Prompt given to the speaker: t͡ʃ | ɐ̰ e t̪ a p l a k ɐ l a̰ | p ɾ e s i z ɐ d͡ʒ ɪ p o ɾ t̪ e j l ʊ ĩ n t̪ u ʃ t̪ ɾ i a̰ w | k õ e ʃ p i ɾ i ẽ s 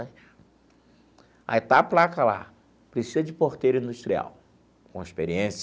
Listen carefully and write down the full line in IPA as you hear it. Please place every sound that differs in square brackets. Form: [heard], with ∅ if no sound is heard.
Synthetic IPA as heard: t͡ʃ | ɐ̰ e t̪ a p l a k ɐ l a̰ | p ɾ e s i z ɐ d͡ʒ ɪ p o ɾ t̪ e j [ɾ] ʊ ĩ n [d̪] u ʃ t̪ ɾ i a̰ w | k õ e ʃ p [e] ɾ i ẽ s